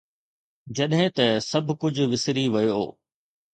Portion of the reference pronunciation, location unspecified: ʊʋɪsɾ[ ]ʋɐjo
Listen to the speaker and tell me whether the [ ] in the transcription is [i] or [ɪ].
i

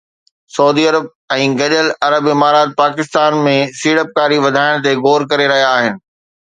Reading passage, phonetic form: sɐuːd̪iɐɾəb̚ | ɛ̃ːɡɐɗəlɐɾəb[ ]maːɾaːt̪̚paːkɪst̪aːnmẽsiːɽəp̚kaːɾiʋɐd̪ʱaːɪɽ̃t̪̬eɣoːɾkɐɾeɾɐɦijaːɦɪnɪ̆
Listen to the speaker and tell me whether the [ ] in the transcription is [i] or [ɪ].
ɪ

